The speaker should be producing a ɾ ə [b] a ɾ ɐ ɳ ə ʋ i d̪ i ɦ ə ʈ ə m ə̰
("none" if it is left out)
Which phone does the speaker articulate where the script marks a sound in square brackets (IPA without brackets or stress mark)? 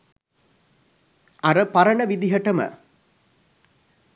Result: p